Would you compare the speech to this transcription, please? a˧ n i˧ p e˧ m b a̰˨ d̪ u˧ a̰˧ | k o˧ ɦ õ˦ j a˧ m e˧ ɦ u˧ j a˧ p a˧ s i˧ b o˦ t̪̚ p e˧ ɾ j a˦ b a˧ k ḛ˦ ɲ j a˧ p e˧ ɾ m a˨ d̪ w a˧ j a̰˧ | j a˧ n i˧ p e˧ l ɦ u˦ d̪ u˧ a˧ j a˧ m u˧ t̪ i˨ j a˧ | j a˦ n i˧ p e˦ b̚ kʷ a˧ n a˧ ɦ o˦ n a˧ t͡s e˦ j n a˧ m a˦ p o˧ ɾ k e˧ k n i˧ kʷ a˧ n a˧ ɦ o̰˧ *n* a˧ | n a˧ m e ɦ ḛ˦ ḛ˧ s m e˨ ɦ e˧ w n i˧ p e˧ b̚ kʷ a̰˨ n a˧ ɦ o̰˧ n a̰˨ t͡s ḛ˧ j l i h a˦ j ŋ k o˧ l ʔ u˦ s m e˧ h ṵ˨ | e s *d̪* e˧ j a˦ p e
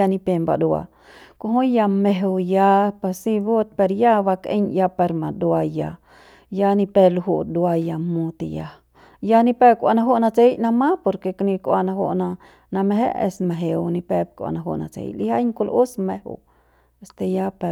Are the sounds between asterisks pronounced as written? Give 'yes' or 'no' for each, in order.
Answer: yes, no

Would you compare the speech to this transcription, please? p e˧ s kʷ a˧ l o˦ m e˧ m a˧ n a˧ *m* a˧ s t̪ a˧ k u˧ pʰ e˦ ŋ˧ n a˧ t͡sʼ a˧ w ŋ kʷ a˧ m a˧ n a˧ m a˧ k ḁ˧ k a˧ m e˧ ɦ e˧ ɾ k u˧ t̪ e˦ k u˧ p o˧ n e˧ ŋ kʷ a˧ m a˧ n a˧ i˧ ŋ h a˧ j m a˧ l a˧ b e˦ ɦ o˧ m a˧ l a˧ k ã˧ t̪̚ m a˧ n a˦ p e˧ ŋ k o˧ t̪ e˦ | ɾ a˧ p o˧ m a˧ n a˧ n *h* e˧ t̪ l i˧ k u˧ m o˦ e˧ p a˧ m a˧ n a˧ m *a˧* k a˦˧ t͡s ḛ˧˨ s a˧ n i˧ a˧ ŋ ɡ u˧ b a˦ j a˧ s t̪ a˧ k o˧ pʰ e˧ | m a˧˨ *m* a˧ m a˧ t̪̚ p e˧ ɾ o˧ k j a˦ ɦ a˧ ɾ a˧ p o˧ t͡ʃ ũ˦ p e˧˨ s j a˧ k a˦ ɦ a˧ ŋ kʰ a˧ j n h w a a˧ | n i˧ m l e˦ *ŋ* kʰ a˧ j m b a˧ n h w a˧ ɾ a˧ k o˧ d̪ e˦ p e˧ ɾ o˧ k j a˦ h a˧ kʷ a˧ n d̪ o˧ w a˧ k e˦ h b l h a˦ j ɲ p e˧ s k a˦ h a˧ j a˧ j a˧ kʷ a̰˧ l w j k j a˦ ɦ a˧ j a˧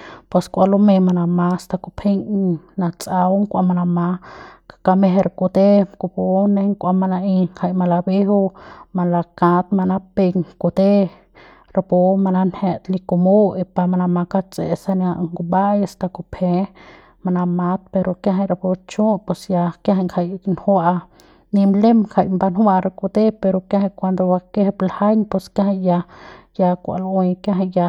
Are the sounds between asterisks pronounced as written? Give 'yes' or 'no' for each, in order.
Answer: yes, yes, yes, no, no

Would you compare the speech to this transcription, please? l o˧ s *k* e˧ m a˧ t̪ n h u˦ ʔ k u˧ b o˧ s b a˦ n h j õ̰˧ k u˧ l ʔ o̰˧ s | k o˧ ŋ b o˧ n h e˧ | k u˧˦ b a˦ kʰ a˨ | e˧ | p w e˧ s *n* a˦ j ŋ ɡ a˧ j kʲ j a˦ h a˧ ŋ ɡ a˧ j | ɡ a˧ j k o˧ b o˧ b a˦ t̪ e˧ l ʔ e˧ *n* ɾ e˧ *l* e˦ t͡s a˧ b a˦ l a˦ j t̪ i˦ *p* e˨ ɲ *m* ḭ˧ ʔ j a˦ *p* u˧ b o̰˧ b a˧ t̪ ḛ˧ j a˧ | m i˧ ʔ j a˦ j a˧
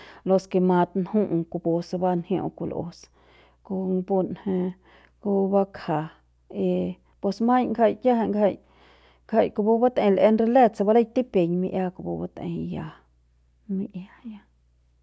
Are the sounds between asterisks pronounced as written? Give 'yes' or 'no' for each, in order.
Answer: yes, no, yes, yes, yes, yes, no

